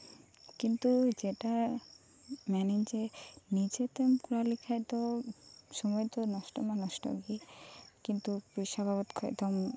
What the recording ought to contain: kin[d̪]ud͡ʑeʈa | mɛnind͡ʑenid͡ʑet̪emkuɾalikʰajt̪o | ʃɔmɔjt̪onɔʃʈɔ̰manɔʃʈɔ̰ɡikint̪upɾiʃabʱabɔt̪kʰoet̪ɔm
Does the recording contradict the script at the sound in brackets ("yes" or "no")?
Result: yes